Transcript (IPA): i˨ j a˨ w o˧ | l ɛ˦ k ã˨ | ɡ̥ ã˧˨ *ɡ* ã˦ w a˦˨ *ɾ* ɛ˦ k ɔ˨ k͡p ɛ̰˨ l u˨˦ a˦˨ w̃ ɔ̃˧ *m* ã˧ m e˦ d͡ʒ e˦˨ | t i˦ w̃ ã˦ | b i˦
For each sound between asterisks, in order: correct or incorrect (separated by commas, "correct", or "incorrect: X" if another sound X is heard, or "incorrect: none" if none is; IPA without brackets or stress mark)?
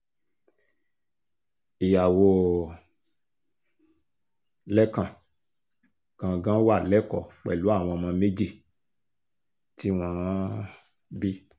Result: correct, incorrect: l, correct